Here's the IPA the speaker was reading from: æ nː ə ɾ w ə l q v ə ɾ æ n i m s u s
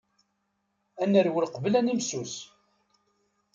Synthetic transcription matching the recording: æ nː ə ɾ w ə l q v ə l æ n i m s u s